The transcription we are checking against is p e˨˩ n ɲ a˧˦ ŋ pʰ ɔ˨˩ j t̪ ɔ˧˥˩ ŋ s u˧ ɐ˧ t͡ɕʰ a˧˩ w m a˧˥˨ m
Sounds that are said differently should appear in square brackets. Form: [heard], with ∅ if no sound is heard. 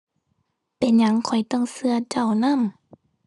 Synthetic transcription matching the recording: p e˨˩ n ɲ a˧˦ ŋ [kʰ] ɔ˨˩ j t̪ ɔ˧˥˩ ŋ s [ɯ˧] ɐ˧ [t͡ɕ] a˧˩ w [n] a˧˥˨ m

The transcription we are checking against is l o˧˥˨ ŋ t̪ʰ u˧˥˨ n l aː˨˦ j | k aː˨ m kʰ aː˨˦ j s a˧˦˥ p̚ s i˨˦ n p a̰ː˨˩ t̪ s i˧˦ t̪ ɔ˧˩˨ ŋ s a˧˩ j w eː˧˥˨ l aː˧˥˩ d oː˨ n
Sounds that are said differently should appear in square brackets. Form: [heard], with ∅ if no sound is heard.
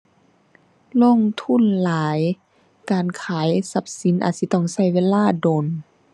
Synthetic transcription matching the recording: l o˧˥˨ ŋ t̪ʰ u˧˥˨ n l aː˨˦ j | k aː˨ [n] kʰ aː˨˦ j s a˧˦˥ p̚ s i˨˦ n [ʔ] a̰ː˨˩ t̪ s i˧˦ t̪ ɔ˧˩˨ ŋ s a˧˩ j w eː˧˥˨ l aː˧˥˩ d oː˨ n

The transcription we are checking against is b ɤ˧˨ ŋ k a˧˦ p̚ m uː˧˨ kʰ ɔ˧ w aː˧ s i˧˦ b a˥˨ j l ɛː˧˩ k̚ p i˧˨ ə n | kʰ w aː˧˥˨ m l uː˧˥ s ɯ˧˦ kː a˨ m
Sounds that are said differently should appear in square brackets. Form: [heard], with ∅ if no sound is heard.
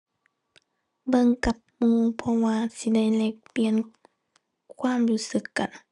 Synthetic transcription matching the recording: b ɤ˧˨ ŋ k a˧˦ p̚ m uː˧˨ [pʰ] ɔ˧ w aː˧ s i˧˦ [d] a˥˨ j l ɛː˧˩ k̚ p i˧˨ ə n | kʰ w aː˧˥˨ m l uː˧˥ s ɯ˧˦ kː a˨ [n]

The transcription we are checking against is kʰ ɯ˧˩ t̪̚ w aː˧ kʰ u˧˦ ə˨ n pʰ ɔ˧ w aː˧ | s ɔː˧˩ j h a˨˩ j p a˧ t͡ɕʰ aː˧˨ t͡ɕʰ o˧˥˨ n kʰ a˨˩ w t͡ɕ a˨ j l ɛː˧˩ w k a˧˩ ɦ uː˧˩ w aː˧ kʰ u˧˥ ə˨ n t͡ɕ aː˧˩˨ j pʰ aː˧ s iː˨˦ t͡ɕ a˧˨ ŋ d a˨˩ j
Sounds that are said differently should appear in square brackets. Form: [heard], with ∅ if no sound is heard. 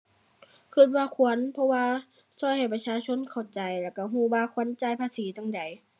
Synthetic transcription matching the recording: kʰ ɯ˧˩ t̪̚ w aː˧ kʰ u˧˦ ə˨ n pʰ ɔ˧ w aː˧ | s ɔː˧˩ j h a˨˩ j p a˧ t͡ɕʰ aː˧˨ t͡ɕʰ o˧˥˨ n kʰ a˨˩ w t͡ɕ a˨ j l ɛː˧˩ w k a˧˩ ɦ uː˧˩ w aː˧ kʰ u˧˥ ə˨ n t͡ɕ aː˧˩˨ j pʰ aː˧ s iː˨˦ t͡ɕ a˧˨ ŋ d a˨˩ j

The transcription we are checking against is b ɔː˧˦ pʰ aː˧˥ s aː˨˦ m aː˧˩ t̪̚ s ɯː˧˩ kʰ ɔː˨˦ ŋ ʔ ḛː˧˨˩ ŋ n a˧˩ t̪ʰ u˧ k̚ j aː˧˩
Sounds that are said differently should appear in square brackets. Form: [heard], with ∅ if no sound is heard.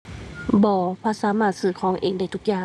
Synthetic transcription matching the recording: b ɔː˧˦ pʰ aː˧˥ s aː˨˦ m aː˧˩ t̪̚ s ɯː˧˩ kʰ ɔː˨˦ ŋ ʔ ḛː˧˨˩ ŋ [d] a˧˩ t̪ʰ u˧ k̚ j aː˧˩

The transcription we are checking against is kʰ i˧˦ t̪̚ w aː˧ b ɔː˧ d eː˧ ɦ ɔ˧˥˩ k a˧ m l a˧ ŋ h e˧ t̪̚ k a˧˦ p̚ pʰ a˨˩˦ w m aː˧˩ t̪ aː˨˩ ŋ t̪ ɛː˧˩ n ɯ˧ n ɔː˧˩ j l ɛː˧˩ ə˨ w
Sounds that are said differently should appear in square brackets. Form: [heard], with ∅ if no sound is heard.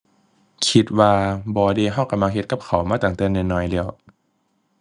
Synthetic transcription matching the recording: kʰ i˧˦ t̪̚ w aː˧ b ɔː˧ d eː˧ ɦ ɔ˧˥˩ k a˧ m l a˧ ŋ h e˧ t̪̚ k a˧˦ p̚ [kʰ] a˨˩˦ w m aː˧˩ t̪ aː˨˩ ŋ t̪ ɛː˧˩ n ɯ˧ n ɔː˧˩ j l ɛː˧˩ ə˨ w

